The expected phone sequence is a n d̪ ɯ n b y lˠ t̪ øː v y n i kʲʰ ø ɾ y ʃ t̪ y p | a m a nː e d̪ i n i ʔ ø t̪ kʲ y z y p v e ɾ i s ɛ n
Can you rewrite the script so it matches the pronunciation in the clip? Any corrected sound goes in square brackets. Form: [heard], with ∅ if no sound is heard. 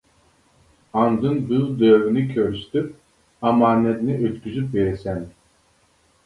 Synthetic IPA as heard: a n d̪ ɯ n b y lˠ [d̪] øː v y n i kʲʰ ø ɾ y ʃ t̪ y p | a m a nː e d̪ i n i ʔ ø t̪ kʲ y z y p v e ɾ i s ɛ n